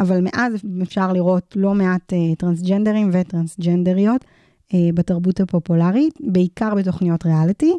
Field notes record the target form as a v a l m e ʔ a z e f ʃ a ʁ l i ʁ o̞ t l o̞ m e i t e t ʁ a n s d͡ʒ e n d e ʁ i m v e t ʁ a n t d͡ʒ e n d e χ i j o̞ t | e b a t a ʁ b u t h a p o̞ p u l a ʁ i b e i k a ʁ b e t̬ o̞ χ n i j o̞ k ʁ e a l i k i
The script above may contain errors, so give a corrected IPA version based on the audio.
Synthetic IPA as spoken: a v a l m e ʔ a z e f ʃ a ʁ l i ʁ o̞ t l o̞ m e a t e t ʁ a n s d͡ʒ e n d e ʁ i m v e t ʁ a n s d͡ʒ e n d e ʁ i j o̞ t | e b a t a ʁ b u t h a p o̞ p u l a ʁ i b e i k a ʁ b e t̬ o̞ χ n i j o̞ t ʁ e a l i t i